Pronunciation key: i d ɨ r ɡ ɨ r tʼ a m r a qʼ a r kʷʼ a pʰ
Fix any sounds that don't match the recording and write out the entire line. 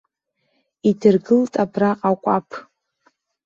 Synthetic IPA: i d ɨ r ɡ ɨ l tʼ a b r a qʼ a kʷʼ a pʰ

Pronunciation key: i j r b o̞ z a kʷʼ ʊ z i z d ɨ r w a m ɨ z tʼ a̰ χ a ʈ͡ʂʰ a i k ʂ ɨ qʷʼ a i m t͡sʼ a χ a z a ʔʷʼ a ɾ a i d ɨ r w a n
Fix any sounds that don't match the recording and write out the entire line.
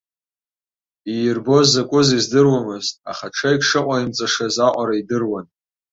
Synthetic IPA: i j r b o̞ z a kʷʼ ʊ z i z d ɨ r w a m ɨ z tʼ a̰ χ a ʈ͡ʂʰ a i k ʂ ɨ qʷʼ a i m t͡sʼ a ʂ a z a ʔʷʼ a ɾ a i d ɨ r w a n

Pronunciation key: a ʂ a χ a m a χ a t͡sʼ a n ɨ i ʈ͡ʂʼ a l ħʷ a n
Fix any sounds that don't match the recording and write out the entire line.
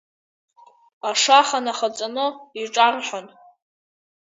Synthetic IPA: a ʂ a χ a n a χ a t͡sʼ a n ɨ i ʈ͡ʂʼ a r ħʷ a n

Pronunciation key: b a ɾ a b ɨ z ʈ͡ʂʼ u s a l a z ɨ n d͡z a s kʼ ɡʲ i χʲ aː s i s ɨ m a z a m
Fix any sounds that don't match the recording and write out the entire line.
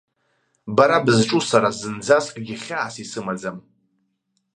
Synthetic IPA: b a ɾ a b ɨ z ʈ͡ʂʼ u s a ɾ a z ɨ n d͡z a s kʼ ɡʲ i χʲ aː s i s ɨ m a d͡z a m

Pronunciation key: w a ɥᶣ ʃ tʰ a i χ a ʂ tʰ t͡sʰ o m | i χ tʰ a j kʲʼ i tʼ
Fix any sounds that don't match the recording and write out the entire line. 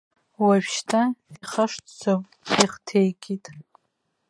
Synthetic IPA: w a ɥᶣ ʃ tʰ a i χ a ʂ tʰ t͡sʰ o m | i χ tʰ e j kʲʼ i tʼ

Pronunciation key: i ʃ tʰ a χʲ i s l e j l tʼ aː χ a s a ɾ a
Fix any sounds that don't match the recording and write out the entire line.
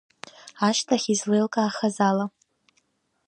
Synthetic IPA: a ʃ tʰ a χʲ i z l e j l kʼ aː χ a z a l a

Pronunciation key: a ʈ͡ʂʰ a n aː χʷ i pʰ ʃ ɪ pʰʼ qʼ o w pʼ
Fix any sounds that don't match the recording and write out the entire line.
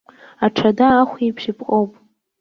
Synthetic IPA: a ʈ͡ʂʰ a d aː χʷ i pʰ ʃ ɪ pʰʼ qʼ o w pʼ

